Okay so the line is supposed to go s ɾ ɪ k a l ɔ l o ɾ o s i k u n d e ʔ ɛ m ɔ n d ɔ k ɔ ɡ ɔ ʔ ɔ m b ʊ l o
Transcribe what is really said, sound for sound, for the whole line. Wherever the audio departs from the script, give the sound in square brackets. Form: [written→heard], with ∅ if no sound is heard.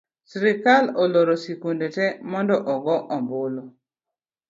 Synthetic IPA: s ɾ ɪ k a l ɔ l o ɾ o s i k u n d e [ʔ→t] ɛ m ɔ n d ɔ [k→ʔ] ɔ ɡ ɔ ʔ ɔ m b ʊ l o